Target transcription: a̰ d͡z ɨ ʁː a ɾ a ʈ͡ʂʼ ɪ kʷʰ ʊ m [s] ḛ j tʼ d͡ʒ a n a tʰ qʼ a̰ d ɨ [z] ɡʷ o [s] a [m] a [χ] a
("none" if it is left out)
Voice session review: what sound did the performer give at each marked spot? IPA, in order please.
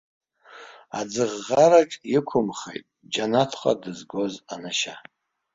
χ, z, z, n, ʃ

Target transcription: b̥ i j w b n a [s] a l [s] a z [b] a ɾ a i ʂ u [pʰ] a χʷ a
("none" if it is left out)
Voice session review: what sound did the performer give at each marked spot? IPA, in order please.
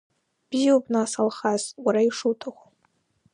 s, χ, w, tʰ

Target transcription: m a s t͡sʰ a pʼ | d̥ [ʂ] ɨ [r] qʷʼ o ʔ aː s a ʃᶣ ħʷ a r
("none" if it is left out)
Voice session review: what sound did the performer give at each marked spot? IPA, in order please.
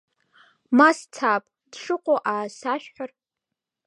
ʂ, none

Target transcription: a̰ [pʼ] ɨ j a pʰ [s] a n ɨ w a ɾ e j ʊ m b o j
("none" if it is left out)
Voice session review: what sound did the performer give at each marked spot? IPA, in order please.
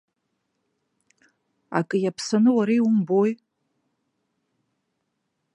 kʼ, s

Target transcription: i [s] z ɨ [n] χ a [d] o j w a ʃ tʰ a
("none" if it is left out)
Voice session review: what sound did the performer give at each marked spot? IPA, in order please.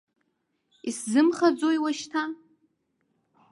s, m, d͡z

